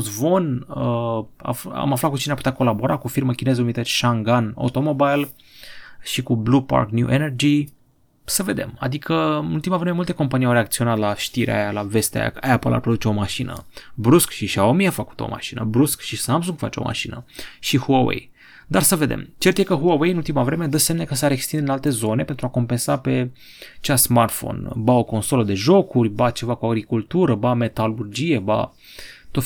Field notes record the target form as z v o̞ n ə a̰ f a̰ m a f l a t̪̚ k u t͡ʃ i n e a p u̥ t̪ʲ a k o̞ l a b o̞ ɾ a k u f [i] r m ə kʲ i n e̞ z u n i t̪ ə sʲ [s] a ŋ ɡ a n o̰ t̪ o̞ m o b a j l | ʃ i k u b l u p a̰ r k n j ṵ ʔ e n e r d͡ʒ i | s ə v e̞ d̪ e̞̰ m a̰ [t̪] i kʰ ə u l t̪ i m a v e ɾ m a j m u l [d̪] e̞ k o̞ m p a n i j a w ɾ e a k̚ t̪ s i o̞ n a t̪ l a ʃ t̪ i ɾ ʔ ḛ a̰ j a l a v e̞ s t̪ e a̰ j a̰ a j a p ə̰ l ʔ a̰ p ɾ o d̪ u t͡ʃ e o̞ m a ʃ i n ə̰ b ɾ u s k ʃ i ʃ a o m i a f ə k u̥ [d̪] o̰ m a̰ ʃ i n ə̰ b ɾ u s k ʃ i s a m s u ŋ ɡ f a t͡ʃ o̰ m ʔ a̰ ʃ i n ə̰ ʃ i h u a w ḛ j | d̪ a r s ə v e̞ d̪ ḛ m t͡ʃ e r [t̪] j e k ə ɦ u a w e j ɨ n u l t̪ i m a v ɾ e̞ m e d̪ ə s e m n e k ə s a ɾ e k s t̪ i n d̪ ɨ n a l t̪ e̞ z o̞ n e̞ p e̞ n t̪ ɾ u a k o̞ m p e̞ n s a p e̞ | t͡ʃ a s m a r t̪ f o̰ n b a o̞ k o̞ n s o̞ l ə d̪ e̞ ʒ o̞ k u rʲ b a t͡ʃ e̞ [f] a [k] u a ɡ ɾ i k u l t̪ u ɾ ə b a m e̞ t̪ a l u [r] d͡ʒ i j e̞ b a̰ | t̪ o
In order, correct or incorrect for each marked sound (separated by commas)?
correct, incorrect, incorrect, incorrect, incorrect, correct, incorrect, correct, correct